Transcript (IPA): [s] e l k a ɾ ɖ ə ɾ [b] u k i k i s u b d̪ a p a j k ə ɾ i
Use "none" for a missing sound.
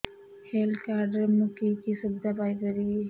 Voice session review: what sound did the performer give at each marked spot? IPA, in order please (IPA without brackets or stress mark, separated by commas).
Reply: h, m